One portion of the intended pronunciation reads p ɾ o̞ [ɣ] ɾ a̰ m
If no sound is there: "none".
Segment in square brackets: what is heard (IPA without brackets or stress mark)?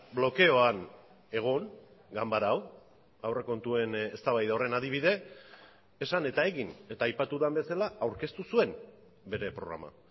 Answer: ɣ